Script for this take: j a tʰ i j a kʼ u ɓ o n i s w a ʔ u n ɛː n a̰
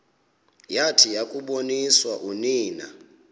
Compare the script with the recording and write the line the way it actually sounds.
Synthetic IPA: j a tʰ i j a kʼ u ɓ o n i s w a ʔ u n iː n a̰